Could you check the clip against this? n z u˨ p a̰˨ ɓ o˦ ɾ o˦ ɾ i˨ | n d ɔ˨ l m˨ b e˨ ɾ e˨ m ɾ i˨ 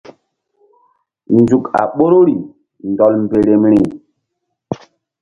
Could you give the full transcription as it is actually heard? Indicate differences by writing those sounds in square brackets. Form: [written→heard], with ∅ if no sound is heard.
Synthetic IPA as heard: n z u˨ [p→k] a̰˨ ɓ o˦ ɾ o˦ ɾ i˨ | n d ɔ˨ l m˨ b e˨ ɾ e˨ m ɾ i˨